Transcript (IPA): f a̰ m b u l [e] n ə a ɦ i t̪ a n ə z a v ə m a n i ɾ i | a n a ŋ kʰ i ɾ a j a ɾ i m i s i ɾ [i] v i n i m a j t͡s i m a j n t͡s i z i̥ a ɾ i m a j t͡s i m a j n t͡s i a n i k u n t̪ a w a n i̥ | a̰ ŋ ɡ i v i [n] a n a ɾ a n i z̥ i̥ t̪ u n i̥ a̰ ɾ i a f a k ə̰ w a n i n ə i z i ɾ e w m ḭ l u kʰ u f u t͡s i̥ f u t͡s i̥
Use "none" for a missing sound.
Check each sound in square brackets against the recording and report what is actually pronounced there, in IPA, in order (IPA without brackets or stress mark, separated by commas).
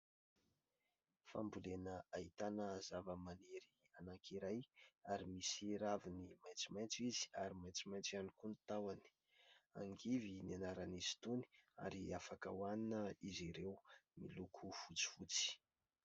e, a, n